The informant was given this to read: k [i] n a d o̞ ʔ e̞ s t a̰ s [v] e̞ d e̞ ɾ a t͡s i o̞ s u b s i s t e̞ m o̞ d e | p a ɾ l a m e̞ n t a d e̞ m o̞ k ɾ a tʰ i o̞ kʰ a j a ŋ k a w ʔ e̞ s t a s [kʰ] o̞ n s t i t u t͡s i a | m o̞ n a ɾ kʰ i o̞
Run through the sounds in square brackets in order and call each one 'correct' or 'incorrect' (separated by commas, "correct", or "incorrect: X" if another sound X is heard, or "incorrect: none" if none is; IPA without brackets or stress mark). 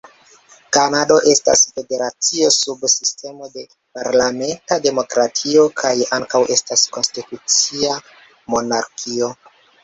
incorrect: a, incorrect: f, incorrect: k